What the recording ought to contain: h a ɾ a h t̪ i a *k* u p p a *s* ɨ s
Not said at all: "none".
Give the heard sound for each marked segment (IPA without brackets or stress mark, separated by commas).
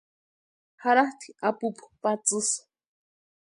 p, t͡s